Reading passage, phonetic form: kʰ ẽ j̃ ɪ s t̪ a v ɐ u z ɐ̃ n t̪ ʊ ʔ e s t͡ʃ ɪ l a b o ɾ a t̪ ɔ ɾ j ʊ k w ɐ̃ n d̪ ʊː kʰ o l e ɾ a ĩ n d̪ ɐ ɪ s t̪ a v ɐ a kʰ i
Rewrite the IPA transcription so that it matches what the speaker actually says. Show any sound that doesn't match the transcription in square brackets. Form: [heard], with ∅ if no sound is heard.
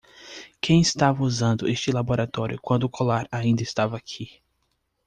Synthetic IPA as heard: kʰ ẽ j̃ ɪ s t̪ a v ɐ u z ɐ̃ n [d̪] ʊ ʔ e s t͡ʃ ɪ l a b o ɾ a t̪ ɔ ɾ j ʊ k w ɐ̃ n d̪ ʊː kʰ o l [a] ɾ a ĩ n d̪ ɐ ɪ s t̪ a v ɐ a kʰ i